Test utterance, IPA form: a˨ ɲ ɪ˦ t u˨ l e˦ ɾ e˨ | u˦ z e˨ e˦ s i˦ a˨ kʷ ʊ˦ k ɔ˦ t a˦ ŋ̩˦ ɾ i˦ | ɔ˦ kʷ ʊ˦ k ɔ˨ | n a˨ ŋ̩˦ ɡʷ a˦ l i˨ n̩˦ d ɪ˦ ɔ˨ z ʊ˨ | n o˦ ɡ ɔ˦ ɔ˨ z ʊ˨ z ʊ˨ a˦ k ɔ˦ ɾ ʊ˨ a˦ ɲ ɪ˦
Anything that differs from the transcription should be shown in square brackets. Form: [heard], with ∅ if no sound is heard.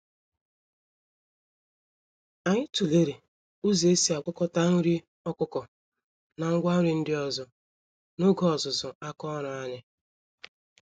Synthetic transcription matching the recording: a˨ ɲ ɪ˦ t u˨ l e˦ ɾ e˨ | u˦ z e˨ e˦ s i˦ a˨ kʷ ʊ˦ k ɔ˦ t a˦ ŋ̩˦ ɾ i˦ | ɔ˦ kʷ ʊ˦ k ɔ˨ | n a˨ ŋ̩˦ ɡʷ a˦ [ɾ] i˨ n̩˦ d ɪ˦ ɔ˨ z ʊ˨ | n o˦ ɡ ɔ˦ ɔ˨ z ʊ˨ z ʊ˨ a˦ k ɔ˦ ɾ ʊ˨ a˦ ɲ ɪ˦